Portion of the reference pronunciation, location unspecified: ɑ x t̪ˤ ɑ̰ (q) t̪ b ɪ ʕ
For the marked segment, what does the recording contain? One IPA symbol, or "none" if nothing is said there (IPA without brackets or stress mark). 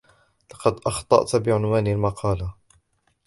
ʔ